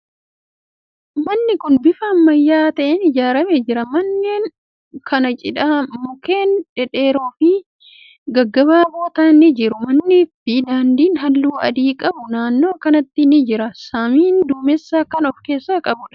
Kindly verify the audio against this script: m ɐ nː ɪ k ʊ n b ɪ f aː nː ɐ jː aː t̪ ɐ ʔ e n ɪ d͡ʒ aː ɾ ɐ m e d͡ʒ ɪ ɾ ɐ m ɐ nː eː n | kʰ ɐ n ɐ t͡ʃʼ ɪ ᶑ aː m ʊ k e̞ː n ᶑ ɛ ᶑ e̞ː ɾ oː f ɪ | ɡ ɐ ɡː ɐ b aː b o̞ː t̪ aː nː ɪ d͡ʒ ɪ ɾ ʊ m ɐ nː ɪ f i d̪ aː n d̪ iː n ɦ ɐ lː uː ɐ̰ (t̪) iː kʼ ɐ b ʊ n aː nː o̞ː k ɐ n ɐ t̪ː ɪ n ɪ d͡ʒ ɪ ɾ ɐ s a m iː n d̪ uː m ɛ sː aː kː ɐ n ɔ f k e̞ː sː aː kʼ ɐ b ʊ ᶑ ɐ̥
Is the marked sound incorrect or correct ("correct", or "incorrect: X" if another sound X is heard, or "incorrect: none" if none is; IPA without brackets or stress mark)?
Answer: incorrect: d̪